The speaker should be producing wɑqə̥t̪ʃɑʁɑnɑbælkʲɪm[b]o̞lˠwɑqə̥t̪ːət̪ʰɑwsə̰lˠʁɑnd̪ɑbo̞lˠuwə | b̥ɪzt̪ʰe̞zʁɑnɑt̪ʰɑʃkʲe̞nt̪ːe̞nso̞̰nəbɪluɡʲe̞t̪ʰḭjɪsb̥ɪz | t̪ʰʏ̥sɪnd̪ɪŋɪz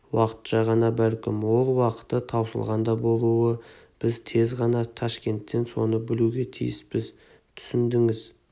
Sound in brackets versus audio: incorrect: w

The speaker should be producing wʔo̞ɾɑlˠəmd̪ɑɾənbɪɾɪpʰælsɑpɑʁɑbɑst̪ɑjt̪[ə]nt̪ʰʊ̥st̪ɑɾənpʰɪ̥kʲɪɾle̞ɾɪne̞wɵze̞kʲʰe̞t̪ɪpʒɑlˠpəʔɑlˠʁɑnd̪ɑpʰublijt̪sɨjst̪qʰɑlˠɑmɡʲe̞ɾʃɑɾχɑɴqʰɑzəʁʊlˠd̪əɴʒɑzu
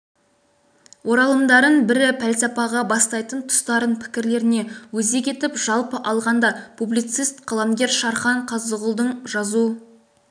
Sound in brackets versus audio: correct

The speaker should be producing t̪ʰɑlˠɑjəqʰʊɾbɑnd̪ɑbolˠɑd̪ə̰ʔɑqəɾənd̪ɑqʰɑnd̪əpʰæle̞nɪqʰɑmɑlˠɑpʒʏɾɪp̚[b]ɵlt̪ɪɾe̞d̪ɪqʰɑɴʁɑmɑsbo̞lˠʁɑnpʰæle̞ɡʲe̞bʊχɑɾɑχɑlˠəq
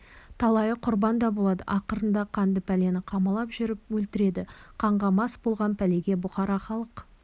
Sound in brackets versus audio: incorrect: w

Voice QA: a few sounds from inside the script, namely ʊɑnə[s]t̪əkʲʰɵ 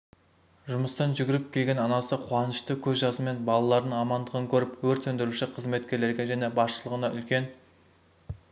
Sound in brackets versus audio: incorrect: ʃ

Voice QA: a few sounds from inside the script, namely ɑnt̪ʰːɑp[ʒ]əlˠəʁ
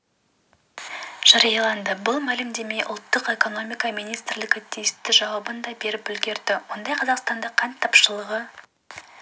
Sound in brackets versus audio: incorrect: ʃ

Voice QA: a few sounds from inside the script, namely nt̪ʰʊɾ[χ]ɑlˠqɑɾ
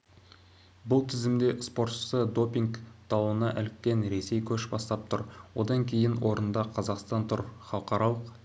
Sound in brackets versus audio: correct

